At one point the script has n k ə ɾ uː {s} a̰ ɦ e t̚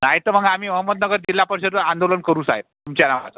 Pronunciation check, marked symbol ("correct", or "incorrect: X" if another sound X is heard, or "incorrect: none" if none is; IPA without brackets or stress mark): correct